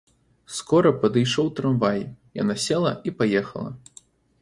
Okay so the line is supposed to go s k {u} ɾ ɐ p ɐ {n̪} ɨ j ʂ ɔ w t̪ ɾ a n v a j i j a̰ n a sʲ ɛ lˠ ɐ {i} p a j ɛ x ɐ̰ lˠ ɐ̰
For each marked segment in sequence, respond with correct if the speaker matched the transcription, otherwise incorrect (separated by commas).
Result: incorrect, incorrect, correct